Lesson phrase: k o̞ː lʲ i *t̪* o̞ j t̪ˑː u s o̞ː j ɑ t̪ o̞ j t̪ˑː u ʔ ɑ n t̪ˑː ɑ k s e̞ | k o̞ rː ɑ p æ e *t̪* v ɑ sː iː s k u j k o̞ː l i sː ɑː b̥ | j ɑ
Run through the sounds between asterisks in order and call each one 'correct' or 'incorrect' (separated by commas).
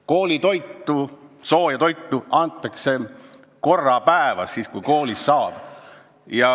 correct, incorrect